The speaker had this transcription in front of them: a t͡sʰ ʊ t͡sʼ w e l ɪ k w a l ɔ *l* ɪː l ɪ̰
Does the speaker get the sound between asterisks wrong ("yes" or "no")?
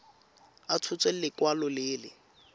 no